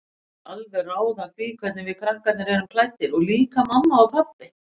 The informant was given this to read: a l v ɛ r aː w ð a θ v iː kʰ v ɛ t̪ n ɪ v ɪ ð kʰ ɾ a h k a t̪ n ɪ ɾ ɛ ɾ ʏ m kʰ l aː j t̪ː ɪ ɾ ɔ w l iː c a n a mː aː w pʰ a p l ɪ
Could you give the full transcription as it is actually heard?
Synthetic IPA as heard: a l v ɛ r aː w ð a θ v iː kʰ v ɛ t̪ n ɪ v ɪ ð kʰ ɾ a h k a t̪ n ɪ ɾ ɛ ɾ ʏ m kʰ l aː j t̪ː ɪ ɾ ɔ ɣ l iː k a m a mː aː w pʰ a p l ɪ